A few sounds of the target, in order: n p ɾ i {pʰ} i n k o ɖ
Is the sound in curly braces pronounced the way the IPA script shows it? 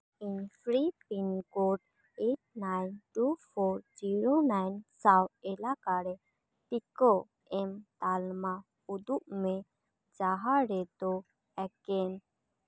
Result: no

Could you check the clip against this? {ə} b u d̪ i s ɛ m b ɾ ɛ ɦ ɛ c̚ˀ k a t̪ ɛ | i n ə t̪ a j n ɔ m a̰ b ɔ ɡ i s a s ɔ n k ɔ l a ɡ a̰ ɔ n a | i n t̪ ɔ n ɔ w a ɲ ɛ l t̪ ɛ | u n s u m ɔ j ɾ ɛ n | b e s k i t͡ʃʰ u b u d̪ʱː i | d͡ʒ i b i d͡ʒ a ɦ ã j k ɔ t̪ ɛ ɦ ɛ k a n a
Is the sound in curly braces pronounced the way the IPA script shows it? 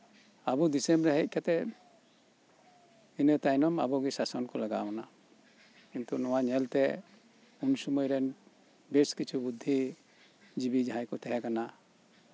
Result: no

